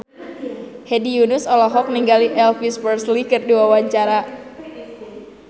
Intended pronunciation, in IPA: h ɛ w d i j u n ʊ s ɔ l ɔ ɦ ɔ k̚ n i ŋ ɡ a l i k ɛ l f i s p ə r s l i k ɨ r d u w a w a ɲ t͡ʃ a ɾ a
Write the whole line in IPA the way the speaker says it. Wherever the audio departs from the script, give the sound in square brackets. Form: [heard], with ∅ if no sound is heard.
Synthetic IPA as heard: h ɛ [∅] d i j u n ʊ s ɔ l ɔ ɦ ɔ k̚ n i ŋ ɡ a l i [ʔ] ɛ l f i s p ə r s l i k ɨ r d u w a w a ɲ t͡ʃ a ɾ a